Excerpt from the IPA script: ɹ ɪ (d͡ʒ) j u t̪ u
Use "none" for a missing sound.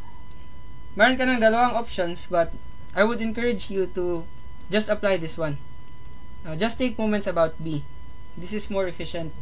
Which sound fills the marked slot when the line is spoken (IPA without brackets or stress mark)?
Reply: d͡ʒ